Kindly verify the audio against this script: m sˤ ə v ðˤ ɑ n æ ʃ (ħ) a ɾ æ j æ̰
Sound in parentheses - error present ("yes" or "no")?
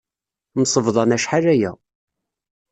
no